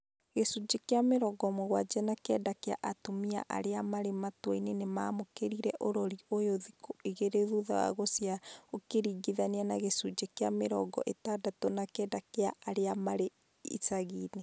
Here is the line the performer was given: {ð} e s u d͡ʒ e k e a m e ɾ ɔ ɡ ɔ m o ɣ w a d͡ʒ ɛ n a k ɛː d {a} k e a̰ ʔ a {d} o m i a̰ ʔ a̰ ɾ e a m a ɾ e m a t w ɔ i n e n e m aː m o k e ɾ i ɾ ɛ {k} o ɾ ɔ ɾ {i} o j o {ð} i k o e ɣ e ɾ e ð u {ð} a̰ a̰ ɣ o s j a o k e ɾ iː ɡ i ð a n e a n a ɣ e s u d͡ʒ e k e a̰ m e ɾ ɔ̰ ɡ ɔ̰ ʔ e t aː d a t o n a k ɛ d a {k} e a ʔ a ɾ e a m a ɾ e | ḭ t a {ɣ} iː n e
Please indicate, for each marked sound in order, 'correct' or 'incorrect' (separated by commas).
incorrect, correct, incorrect, incorrect, correct, correct, correct, correct, correct